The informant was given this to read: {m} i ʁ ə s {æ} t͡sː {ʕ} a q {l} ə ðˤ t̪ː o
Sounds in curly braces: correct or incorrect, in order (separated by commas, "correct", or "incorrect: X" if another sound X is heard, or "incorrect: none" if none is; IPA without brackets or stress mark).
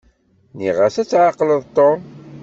incorrect: n, correct, correct, correct